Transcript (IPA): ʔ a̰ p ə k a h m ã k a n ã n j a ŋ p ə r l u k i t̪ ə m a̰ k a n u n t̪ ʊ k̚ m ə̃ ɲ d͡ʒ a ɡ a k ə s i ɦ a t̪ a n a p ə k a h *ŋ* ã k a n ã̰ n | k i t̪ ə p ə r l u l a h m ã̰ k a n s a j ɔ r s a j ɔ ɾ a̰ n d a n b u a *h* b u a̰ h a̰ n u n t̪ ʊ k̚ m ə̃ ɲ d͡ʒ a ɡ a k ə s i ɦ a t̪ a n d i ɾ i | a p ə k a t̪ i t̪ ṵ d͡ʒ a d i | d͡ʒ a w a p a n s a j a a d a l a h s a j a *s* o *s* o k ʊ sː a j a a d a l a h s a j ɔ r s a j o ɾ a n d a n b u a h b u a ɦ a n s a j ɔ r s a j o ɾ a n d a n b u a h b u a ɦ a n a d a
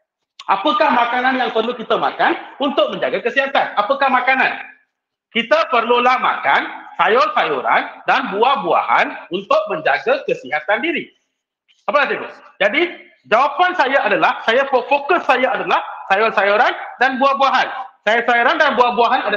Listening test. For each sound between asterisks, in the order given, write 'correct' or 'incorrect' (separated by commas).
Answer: incorrect, correct, incorrect, incorrect